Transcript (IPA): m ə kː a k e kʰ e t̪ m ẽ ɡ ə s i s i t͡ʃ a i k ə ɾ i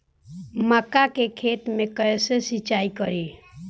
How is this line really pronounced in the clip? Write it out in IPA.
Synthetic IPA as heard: m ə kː a k e kʰ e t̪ m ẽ k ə s e s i t͡ʃ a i k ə ɾ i

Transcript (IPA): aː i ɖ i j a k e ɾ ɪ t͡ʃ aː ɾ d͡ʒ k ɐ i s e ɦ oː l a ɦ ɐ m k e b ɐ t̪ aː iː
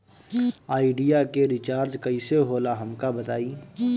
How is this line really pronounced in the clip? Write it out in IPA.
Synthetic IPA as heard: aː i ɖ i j a k e ɾ ɪ t͡ʃ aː ɾ d͡ʒ k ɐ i s e ɦ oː l a ɦ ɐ m k a b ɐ t̪ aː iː

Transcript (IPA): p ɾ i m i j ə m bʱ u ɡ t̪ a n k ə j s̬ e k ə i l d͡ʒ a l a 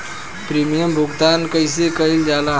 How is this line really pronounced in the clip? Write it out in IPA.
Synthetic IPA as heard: p ɾ i m i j ə m bʱ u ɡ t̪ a n k ə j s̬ e k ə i l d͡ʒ a l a

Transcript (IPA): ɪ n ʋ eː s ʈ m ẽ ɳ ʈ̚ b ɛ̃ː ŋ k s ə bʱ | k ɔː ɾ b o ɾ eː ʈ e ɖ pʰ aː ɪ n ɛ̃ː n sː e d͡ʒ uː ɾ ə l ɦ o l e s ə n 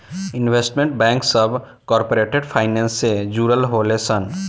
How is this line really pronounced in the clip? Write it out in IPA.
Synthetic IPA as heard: ɪ n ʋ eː s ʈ m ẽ ɳ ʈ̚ b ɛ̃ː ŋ k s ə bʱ | k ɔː ɾ p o ɾ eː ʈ e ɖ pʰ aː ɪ n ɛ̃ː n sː e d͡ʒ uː ɾ ə l ɦ o l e s ə n

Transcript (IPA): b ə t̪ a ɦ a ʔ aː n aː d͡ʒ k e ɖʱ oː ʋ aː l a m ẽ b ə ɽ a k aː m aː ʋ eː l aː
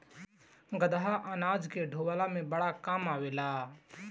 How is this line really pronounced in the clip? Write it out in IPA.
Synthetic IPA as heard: ɡ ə d̪ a ɦ a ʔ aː n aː d͡ʒ k e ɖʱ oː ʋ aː l a m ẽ b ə ɽ a k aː m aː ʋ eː l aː

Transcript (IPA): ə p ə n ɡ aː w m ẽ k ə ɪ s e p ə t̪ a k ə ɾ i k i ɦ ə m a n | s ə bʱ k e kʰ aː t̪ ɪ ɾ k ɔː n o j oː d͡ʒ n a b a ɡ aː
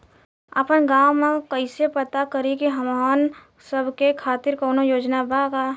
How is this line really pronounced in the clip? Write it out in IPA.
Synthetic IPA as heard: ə p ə n ɡ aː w m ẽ k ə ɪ s e p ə t̪ a k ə ɾ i k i ɦ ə m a n | s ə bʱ k e kʰ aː t̪ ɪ ɾ k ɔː n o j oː d͡ʒ n a b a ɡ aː

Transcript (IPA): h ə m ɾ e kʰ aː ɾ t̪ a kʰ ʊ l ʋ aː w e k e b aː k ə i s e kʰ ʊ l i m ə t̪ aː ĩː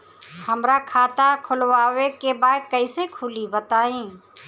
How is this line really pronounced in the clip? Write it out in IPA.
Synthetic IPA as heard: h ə m ɾ a kʰ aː t̪ a kʰ ʊ l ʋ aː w e k e b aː k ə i s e kʰ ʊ l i b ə t̪ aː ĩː

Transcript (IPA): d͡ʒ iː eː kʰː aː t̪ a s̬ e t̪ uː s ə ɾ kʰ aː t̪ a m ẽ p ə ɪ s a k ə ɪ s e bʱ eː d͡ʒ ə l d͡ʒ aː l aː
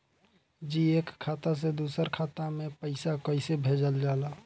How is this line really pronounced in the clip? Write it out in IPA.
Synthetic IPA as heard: d͡ʒ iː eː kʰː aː t̪ a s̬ e d̪ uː s ə ɾ kʰ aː t̪ a m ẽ p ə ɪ s a k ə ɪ s e bʱ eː d͡ʒ ə l d͡ʒ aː l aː

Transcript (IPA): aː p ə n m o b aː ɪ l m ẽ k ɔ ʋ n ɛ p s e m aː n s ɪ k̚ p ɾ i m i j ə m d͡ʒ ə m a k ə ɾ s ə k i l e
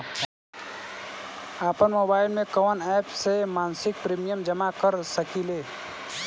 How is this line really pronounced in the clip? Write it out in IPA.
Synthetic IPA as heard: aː p ə n m o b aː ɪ l m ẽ k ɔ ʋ n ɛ p s e m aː n s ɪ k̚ p ɾ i m i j ə m d͡ʒ ə m a k ə ɾ s ə k i l e

